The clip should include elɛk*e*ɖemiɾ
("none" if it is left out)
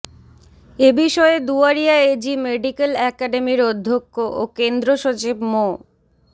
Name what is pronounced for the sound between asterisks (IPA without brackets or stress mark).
a